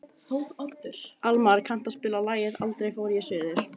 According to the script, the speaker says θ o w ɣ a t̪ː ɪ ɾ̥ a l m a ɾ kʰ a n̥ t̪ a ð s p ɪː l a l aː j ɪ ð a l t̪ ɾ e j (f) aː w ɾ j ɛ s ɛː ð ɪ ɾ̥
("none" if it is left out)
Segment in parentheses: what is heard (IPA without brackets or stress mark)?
f